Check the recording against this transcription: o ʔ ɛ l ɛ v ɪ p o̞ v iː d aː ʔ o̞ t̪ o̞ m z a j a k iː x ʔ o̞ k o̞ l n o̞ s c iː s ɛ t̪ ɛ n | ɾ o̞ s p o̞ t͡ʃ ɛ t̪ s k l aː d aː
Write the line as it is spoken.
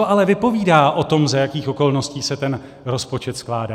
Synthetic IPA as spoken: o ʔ a l ɛ v ɪ p o̞ v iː d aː ʔ o̞ t̪ o̞ m z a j a k iː x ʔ o̞ k o̞ l n o̞ s c iː s ɛ t̪ ɛ n | ɾ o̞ s p o̞ t͡ʃ ɛ t̪ s k l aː d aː